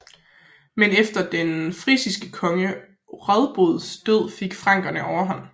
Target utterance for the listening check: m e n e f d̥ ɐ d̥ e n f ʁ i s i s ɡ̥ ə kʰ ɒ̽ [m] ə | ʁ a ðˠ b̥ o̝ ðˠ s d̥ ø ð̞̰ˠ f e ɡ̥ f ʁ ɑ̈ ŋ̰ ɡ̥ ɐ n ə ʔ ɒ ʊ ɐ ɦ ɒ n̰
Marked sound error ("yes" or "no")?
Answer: yes